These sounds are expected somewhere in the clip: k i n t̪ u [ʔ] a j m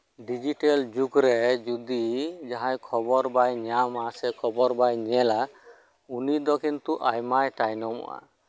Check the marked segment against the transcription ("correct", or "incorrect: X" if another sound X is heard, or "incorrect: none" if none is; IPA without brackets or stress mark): correct